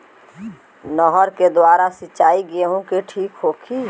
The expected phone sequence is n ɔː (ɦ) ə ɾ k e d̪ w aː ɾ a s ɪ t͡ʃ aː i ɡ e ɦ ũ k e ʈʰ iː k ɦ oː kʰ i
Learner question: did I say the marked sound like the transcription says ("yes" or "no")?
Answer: yes